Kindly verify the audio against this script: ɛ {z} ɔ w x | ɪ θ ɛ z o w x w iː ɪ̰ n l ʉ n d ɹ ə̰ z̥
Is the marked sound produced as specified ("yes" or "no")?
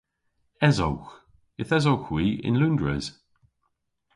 yes